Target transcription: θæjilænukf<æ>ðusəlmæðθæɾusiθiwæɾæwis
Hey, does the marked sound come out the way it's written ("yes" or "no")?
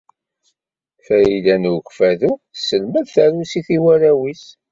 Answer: yes